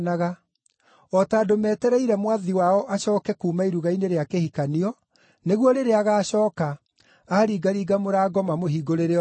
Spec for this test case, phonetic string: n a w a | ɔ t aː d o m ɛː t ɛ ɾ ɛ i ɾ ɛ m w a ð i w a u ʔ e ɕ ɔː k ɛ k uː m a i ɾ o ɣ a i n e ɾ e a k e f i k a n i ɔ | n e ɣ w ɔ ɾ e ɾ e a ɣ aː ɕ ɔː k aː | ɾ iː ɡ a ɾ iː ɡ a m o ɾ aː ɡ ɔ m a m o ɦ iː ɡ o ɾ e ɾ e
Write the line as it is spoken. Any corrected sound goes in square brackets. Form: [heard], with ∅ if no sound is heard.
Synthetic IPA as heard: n a [ɣ] a | ɔ t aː d o m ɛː t ɛ ɾ ɛ i ɾ ɛ m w a ð i w a [ɔ] ʔ [a] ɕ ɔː k ɛ k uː m a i ɾ [u] ɣ a i n e ɾ e a k e [h] i k a n i ɔ | n e ɣ w ɔ ɾ e ɾ e a ɣ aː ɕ ɔː k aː | ɾ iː ɡ a ɾ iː ɡ a m o ɾ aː ɡ ɔ m a m o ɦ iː ɡ o ɾ e ɾ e